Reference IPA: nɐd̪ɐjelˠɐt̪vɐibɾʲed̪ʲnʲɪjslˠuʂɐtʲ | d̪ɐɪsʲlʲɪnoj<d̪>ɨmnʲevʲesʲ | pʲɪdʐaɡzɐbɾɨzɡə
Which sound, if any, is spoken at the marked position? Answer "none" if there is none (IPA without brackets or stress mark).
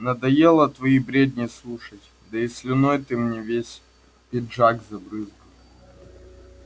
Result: t̪